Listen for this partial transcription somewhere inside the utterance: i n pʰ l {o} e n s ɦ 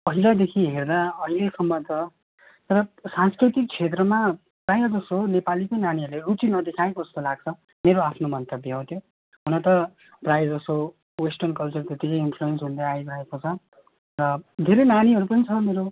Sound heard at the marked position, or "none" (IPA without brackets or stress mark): u